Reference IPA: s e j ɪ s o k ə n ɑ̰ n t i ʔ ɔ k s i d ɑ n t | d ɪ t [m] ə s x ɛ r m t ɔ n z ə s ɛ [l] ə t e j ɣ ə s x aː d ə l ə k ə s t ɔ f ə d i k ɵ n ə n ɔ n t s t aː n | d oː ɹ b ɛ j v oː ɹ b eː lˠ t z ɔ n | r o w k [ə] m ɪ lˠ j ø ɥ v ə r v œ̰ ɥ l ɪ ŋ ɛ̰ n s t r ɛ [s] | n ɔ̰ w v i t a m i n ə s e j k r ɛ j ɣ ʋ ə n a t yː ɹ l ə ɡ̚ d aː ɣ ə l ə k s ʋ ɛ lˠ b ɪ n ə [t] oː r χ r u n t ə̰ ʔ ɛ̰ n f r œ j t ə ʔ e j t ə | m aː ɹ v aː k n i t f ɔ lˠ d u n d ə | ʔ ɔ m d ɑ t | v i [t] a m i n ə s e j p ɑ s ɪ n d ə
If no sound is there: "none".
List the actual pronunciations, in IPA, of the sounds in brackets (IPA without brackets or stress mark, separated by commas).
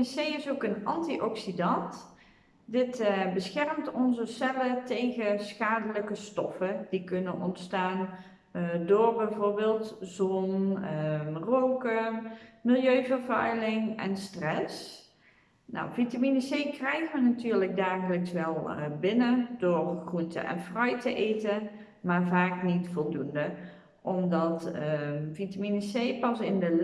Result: b, l, ə, s, d, t